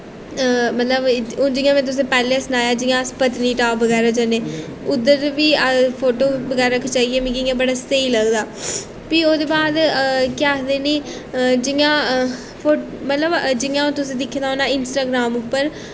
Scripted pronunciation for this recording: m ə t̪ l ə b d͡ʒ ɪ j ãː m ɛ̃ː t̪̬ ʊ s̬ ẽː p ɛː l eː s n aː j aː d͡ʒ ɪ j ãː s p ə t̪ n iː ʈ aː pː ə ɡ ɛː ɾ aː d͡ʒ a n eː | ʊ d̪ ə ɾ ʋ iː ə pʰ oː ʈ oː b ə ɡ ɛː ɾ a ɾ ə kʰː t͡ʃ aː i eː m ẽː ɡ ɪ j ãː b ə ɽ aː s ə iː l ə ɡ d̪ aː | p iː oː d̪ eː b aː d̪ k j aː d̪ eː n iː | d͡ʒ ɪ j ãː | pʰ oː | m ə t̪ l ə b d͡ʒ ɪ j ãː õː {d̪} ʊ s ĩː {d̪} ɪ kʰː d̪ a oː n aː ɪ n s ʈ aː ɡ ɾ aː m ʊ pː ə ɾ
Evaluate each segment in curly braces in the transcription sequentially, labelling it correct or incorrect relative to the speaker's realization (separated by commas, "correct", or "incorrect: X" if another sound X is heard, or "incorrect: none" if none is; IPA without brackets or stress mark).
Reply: incorrect: t̪, correct